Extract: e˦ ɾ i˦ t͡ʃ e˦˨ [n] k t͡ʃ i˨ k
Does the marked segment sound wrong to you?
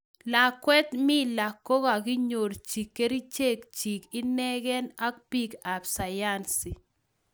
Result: yes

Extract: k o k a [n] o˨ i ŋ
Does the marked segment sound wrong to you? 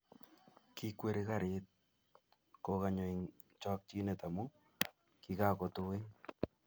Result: yes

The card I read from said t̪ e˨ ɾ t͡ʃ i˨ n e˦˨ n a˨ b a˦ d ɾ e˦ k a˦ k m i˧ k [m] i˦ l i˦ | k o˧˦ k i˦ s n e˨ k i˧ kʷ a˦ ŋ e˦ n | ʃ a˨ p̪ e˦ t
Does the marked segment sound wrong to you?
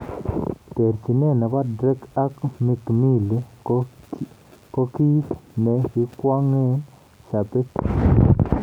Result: no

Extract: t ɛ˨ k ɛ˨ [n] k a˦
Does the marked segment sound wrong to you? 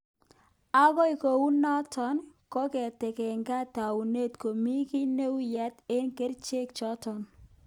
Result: yes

